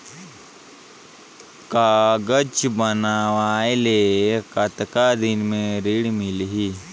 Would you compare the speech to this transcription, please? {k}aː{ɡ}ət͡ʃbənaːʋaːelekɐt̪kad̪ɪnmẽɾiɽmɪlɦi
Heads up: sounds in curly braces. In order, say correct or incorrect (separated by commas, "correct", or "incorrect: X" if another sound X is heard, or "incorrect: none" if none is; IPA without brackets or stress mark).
correct, correct